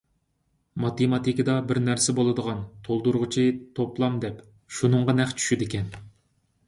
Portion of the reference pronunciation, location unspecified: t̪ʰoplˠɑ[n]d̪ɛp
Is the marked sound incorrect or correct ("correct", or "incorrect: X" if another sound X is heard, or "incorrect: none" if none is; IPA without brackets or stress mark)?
incorrect: m